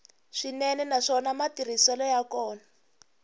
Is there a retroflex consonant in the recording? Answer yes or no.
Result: yes